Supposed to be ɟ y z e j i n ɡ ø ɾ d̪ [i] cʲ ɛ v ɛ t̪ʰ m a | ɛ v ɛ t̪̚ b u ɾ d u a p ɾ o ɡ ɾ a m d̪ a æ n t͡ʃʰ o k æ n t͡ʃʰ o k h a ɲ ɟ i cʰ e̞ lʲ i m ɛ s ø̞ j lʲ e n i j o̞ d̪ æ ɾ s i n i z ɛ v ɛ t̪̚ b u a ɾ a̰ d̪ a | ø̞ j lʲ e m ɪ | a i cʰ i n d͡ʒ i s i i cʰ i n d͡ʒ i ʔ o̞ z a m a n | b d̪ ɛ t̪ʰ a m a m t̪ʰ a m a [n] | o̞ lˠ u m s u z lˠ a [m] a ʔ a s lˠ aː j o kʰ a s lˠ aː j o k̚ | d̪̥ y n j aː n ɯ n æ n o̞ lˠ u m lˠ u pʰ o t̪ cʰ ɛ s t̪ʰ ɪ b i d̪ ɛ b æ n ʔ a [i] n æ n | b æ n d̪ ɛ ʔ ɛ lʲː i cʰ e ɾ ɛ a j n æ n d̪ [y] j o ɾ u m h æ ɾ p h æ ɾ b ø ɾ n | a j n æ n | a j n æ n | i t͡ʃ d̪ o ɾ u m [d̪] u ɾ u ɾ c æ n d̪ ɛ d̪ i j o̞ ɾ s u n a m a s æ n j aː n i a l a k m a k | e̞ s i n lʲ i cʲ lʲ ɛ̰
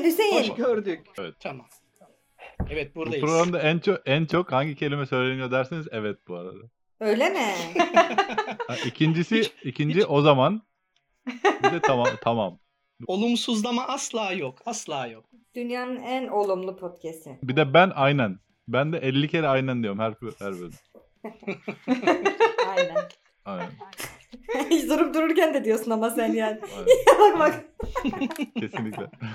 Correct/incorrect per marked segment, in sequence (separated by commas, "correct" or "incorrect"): incorrect, incorrect, correct, incorrect, incorrect, correct